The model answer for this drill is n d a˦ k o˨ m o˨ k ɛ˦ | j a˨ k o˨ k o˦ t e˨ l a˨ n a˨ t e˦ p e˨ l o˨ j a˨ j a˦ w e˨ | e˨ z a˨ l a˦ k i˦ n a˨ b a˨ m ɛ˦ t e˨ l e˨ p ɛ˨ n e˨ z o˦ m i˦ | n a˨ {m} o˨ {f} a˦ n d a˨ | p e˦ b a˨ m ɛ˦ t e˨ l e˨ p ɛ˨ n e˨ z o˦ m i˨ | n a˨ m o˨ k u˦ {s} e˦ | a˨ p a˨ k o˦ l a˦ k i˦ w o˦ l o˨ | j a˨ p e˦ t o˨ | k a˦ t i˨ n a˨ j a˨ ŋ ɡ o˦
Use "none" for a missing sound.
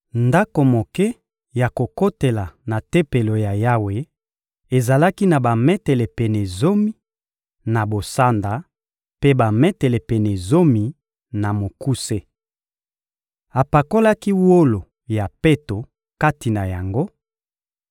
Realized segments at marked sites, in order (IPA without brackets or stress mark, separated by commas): b, s, s